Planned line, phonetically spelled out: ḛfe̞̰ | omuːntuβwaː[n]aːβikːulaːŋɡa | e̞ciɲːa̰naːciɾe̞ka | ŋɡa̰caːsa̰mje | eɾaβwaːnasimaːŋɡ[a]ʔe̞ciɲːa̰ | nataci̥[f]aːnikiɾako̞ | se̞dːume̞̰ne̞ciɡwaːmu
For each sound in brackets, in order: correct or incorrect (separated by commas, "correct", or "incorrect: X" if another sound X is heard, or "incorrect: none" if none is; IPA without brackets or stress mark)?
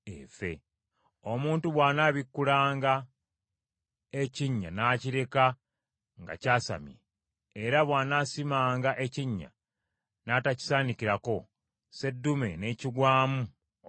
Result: correct, correct, incorrect: s